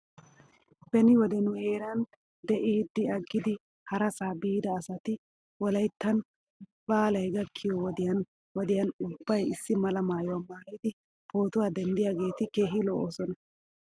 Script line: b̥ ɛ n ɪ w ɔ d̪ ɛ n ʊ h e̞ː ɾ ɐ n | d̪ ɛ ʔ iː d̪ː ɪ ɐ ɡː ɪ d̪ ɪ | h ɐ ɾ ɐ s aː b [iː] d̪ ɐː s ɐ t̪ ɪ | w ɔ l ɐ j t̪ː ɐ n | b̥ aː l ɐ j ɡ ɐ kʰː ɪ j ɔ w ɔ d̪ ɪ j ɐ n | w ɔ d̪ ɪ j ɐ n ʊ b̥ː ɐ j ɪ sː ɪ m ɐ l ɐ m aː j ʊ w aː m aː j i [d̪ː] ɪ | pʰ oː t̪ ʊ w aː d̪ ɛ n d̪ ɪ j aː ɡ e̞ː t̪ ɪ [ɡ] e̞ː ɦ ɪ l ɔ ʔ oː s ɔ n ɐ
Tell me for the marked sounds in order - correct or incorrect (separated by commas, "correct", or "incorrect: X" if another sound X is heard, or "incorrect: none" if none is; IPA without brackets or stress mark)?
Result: correct, incorrect: d̪, incorrect: k